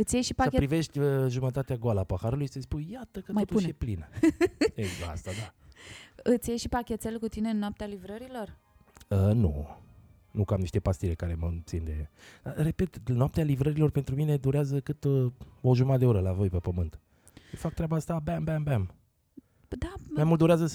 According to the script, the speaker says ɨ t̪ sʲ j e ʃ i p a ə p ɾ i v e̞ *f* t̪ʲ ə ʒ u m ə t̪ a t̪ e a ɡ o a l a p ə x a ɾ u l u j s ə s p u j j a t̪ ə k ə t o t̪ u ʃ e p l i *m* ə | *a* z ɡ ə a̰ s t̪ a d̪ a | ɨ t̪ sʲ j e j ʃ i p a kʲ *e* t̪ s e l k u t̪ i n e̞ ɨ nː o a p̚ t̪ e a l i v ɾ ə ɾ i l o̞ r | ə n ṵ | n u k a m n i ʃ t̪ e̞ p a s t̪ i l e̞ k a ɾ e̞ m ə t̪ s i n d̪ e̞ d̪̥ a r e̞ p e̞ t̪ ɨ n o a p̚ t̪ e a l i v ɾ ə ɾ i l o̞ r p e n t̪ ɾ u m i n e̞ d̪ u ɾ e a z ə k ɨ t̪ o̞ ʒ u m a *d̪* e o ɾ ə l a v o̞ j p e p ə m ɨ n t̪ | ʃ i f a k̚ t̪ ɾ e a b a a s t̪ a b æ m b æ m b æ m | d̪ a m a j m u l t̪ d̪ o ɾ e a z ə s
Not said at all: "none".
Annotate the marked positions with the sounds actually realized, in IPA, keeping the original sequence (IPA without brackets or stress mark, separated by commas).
ʃ, n, e, e, d̪